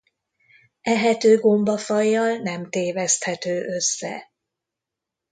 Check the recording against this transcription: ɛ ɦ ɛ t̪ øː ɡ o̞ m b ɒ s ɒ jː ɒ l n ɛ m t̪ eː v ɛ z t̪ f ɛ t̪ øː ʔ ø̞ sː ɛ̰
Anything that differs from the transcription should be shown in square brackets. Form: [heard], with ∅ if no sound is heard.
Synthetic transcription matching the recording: ɛ ɦ ɛ t̪ øː ɡ o̞ m b ɒ [f] ɒ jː ɒ l n ɛ m t̪ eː v ɛ [s] t̪ [h] ɛ t̪ øː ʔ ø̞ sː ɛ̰